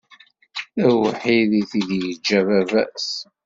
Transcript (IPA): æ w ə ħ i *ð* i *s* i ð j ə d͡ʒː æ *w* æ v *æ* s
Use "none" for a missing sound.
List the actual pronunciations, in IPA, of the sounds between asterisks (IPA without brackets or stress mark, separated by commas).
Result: ð, θ, v, æ